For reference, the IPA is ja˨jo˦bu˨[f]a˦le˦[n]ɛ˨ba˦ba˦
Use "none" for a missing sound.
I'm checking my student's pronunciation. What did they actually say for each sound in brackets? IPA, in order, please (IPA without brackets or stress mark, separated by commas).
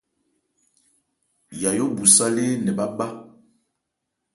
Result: s, n